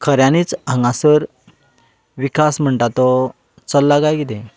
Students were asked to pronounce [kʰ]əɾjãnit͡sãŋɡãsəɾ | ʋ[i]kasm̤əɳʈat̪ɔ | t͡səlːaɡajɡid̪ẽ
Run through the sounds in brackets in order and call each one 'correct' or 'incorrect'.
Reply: correct, correct

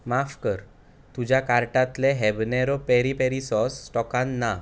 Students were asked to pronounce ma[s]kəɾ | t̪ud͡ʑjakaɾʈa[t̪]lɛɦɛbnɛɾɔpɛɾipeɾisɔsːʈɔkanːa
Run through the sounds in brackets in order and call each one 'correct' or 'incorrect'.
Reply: incorrect: f, correct

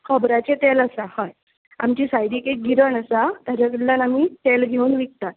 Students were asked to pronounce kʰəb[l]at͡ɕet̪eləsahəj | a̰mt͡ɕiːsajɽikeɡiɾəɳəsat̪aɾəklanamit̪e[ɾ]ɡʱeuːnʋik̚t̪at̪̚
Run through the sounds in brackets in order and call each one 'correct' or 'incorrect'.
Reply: incorrect: ɾ, incorrect: l

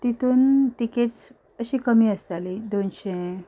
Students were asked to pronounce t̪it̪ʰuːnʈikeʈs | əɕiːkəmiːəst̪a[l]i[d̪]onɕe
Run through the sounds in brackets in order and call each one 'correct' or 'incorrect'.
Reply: correct, correct

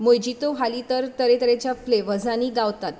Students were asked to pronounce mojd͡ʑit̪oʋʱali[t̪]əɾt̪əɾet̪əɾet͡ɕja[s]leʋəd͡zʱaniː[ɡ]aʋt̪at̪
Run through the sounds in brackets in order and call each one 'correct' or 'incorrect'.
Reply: correct, incorrect: f, correct

